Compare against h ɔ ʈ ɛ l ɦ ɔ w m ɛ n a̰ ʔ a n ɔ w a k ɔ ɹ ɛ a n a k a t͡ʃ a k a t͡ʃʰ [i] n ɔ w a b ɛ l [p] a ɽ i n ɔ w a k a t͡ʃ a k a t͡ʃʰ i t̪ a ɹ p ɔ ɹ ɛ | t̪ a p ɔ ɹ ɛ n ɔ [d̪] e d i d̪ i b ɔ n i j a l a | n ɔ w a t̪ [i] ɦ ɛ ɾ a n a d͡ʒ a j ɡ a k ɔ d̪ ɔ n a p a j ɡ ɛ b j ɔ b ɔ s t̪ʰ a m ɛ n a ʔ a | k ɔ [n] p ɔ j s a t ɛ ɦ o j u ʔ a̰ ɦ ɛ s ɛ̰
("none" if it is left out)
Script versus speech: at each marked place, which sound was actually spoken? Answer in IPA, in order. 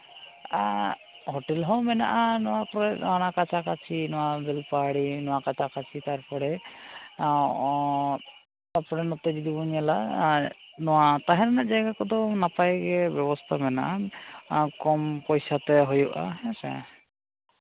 i, p, t̪, a, m

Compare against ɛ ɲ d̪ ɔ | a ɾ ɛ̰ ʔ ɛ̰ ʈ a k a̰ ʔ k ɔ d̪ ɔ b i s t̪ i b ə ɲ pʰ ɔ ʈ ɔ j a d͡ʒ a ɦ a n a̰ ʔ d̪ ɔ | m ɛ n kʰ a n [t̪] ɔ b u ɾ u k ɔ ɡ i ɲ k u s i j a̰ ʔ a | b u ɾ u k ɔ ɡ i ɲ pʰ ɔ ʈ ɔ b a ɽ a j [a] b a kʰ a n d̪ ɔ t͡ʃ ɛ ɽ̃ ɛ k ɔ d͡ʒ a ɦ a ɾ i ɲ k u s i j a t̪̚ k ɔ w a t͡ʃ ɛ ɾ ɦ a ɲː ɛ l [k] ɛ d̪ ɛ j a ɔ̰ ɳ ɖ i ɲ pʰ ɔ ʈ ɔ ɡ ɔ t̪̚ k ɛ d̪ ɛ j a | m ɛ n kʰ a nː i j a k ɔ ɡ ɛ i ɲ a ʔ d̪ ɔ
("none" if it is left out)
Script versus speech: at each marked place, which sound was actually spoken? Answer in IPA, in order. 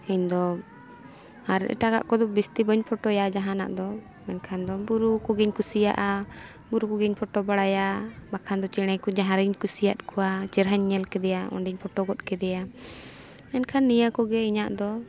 d̪, a, k

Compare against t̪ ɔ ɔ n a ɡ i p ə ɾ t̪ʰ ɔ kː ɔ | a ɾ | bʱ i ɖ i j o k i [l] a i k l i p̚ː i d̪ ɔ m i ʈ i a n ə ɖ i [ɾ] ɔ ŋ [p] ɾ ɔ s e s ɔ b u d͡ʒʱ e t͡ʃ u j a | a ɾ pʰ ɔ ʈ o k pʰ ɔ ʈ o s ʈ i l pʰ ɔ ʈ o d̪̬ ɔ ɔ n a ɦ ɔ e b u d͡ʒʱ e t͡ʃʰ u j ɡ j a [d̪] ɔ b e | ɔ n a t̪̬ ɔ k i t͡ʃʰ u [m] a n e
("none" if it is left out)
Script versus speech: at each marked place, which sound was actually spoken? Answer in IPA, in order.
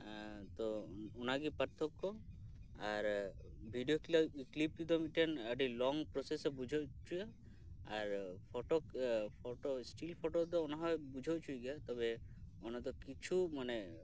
l, l, p, t̪, m

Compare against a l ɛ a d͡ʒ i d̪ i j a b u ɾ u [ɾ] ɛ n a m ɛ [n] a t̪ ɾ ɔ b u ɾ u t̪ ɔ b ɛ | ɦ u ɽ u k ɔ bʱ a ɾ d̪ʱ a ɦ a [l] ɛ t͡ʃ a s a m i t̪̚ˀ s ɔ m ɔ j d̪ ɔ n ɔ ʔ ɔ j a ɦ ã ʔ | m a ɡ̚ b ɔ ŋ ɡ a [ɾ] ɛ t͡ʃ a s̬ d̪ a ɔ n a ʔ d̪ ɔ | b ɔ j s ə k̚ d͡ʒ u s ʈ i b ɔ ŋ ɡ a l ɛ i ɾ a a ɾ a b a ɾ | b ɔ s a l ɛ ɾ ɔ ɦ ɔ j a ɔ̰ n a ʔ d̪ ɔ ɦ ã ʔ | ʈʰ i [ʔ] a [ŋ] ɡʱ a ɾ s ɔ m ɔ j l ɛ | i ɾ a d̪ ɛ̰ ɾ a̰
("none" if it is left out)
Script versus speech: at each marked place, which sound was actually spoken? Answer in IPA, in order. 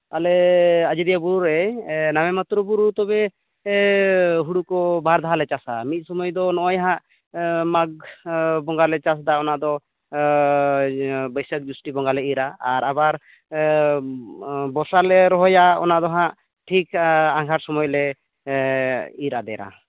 ɾ, m, l, l, k, ŋ

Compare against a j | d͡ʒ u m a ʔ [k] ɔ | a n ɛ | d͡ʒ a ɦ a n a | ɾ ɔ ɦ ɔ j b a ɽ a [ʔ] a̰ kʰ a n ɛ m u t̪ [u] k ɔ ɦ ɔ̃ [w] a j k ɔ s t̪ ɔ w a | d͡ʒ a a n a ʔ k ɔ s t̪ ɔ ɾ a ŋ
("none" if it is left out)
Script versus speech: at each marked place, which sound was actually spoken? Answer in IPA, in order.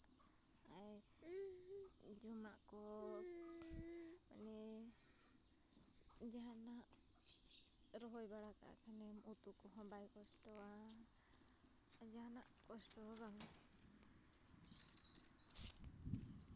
k, k, u, b

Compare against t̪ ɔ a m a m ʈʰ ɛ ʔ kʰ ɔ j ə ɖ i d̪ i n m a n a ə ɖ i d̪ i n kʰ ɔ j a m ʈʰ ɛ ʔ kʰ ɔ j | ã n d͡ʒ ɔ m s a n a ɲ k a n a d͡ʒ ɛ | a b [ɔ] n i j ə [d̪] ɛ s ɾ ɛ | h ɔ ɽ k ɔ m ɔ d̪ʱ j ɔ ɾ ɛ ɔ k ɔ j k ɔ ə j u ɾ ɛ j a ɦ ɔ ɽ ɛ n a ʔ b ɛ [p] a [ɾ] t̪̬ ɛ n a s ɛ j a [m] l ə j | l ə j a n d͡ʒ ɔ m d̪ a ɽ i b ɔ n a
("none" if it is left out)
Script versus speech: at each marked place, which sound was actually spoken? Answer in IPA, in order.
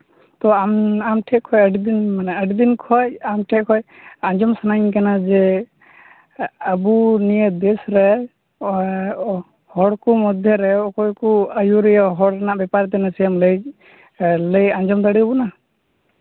u, d̪, p, ɾ, m

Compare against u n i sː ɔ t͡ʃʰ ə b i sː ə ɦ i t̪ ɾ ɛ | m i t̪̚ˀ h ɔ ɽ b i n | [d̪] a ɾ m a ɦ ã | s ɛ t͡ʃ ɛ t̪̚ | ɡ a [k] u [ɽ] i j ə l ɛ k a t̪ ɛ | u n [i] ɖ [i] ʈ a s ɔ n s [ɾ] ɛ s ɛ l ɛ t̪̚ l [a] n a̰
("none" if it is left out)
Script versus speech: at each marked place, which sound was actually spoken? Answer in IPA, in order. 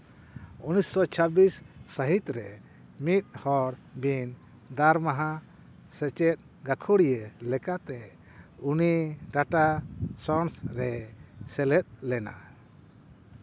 d̪, kʰ, ɽ, i, a, ɾ, ɛ

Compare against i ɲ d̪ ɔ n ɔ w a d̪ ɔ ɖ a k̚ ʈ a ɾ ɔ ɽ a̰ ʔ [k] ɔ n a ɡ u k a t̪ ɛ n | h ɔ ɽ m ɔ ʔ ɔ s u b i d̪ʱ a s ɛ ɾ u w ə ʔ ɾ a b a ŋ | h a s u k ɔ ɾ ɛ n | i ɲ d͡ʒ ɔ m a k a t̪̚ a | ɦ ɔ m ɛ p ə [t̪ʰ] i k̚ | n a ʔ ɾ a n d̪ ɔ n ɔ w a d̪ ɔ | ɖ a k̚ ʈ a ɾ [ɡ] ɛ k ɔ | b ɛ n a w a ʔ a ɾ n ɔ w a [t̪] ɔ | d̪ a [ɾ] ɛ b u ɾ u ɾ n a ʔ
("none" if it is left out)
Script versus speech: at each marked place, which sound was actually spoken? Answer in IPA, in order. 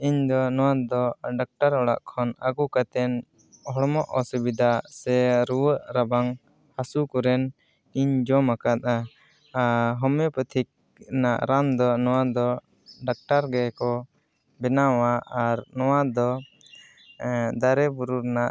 kʰ, t̪ʰ, ɡ, d̪, ɾ

